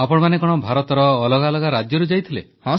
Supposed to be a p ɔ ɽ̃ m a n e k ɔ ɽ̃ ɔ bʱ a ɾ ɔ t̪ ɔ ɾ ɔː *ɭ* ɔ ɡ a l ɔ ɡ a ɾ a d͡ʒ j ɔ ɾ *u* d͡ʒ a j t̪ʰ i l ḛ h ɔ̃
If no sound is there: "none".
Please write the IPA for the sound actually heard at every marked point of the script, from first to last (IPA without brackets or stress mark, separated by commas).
l, u